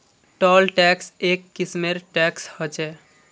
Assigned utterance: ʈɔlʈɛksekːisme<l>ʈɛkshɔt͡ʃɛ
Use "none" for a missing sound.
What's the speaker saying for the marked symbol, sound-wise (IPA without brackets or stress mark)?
ɾ